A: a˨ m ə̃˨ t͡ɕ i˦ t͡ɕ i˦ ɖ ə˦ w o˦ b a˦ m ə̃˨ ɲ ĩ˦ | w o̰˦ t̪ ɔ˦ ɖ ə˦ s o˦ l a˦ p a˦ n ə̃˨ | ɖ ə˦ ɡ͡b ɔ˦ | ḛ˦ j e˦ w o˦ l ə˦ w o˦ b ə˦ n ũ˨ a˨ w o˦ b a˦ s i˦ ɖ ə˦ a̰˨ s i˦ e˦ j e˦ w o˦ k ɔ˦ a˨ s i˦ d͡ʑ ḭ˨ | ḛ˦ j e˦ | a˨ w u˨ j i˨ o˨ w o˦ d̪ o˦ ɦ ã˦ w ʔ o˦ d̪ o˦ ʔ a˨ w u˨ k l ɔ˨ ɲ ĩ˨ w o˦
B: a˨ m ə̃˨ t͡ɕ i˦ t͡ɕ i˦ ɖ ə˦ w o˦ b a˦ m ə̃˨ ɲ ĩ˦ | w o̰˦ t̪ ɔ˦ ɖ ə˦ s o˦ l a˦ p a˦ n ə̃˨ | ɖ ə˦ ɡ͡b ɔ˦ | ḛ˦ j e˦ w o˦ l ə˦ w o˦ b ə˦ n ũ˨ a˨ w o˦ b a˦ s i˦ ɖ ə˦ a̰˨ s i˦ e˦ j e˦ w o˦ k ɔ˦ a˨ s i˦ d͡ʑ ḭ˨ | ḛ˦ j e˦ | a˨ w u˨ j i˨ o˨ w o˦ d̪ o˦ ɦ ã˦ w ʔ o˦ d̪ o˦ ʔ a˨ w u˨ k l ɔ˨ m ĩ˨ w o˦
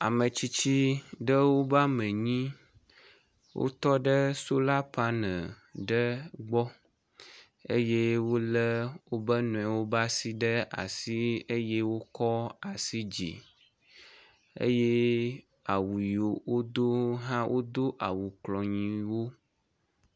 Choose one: A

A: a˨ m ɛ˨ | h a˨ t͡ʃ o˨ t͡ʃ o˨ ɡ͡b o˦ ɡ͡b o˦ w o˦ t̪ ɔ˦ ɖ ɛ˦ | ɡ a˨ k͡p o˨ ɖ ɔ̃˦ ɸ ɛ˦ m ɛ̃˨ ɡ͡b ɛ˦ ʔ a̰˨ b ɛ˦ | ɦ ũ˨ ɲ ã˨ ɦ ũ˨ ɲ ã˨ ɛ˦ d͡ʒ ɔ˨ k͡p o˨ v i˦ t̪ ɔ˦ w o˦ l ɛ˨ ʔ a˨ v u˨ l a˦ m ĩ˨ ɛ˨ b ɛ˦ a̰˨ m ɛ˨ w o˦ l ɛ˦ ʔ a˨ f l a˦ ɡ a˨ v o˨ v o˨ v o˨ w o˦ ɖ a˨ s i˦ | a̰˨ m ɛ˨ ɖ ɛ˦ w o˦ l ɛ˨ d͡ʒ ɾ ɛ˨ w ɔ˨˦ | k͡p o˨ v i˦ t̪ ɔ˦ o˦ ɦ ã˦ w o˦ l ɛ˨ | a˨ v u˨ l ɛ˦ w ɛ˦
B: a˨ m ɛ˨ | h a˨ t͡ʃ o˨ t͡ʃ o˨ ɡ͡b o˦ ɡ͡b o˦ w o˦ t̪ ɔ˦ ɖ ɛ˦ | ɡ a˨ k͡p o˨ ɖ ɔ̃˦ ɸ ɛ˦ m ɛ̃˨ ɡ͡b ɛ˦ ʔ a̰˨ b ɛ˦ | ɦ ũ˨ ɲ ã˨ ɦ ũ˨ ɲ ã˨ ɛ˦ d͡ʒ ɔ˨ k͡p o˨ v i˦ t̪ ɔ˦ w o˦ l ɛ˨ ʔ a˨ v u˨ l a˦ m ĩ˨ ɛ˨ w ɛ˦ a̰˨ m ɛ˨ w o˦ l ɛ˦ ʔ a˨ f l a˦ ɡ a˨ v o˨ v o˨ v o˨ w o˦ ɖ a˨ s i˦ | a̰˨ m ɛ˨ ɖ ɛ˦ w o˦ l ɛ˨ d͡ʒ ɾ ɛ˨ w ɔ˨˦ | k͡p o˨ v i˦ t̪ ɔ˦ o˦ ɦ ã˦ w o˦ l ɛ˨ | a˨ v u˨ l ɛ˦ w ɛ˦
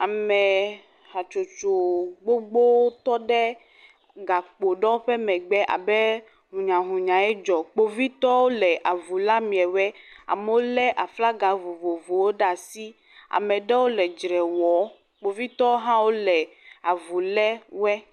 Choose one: B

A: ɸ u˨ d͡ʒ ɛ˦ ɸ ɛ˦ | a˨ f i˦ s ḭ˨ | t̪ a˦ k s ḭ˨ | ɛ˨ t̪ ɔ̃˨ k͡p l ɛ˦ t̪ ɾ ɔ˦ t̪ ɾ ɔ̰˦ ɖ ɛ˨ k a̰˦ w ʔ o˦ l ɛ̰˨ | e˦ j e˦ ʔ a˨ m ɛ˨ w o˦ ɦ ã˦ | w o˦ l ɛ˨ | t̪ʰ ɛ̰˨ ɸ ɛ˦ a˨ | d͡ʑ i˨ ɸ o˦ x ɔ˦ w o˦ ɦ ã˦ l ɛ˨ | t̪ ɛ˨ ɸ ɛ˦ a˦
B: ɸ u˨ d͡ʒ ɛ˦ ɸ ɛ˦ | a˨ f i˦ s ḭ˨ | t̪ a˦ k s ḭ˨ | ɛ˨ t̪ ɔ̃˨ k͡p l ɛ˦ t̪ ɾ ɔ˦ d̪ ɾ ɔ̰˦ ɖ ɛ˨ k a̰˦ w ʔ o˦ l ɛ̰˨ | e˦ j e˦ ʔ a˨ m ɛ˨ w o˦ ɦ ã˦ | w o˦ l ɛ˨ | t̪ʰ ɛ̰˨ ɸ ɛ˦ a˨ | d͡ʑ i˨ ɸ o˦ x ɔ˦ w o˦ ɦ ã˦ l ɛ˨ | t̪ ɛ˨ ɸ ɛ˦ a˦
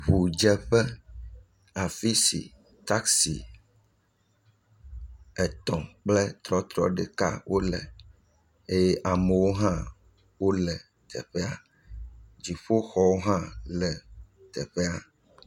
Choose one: A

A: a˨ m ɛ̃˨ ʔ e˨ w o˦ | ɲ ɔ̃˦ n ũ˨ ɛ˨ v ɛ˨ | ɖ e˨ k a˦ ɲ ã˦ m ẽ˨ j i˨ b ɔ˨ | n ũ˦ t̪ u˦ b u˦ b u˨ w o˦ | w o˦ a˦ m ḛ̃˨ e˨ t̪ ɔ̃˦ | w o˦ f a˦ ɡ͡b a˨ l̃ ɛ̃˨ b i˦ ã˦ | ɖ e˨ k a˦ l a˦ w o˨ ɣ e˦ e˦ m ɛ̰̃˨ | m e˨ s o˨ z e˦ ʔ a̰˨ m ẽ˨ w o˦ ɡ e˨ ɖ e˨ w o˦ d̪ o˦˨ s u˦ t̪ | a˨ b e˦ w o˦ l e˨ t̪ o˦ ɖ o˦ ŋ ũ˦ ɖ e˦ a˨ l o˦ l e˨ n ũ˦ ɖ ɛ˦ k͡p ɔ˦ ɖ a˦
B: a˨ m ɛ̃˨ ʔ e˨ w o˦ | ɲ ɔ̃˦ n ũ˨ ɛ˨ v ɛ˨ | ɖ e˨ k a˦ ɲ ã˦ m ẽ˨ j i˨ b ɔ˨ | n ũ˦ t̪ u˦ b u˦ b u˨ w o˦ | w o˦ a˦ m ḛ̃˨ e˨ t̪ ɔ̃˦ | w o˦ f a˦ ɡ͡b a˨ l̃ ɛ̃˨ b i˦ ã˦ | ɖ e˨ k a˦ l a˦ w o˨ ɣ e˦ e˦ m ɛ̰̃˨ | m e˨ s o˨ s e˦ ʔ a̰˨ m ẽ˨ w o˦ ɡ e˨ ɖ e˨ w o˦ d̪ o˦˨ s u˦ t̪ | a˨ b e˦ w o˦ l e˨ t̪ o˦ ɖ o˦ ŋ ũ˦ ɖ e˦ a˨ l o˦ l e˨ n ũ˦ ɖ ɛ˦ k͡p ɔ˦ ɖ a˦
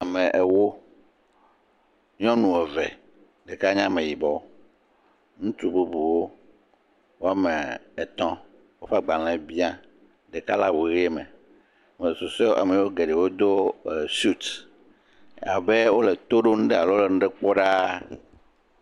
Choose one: B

